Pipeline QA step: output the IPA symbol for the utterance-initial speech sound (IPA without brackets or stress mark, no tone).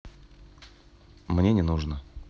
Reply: m